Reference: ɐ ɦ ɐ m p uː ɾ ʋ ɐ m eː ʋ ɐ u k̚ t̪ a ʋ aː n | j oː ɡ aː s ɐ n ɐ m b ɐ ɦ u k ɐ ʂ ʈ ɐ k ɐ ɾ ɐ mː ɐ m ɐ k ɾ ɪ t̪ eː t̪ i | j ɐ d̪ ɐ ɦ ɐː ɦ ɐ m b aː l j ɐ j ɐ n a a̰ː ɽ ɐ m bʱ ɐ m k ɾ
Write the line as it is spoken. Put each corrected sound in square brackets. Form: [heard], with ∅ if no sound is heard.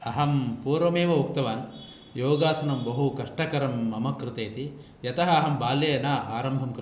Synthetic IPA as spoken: ɐ ɦ ɐ m p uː ɾ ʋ ɐ m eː ʋ ɐ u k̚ t̪ [ɐ] ʋ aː n | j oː ɡ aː s ɐ n ɐ m b ɐ ɦ u k ɐ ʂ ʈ ɐ k ɐ ɾ ɐ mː ɐ m ɐ k ɾ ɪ t̪ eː t̪ i | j ɐ [t̪] ɐ ɦ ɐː ɦ ɐ m b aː l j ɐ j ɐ n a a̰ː [ɾ] ɐ m bʱ ɐ m k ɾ